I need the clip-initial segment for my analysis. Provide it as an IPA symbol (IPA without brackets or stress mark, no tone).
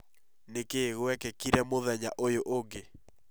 n